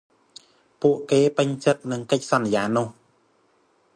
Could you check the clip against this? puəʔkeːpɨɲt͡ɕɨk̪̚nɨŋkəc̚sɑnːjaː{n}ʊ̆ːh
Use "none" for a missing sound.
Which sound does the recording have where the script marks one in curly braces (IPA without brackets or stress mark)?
n